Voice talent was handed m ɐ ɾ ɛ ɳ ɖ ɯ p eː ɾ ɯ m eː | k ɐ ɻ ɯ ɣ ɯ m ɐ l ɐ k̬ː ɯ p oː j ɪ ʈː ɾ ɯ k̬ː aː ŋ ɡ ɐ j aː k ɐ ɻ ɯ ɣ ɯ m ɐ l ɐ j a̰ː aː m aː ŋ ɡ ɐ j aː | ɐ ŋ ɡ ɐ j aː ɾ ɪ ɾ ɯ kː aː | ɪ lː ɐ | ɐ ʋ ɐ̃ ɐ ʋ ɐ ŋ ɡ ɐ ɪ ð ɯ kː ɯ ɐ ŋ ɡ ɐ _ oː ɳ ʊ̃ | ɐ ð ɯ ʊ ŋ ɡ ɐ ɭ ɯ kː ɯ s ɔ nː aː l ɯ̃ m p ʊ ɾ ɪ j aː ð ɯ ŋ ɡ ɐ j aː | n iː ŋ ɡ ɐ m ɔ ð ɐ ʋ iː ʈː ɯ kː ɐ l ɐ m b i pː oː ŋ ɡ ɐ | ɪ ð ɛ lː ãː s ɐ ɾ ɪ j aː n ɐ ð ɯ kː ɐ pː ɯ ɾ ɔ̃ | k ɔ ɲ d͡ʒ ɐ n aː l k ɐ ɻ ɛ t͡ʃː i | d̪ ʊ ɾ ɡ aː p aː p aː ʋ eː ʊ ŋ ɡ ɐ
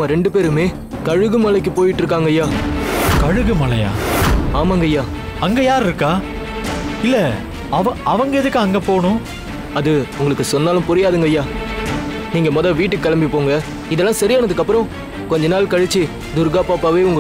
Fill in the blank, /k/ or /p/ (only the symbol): p